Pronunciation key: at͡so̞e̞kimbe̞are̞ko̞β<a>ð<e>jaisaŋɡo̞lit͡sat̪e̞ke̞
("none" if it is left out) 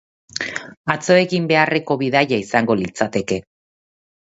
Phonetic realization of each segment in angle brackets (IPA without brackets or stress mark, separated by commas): i, a